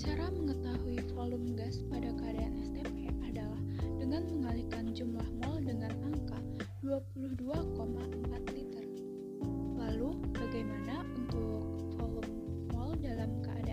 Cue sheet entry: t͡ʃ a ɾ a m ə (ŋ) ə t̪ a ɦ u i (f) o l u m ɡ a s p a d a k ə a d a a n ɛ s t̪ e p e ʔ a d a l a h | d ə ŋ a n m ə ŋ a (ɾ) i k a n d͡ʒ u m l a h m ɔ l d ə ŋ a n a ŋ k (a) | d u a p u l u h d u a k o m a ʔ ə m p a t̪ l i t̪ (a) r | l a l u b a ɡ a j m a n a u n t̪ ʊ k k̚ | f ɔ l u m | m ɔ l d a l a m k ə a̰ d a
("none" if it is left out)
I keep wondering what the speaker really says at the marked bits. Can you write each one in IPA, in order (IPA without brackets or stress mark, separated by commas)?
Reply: ŋ, f, l, a, ə